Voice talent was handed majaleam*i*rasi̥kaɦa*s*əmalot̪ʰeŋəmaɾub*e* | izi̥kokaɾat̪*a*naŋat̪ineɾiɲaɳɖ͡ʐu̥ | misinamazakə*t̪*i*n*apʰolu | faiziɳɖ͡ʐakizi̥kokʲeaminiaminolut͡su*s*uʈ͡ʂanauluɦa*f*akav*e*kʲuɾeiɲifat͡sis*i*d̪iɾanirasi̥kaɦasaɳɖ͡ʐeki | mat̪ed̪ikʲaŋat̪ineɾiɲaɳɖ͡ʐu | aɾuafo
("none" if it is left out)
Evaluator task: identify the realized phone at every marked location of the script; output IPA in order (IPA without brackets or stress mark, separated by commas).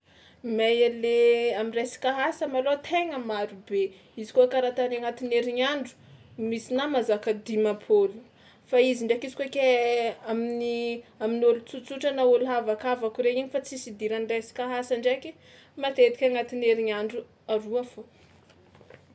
i, s, e, a, d̪, m, t͡s, v, a, i